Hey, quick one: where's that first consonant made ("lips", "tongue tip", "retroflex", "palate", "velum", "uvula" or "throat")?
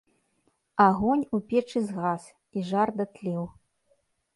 velum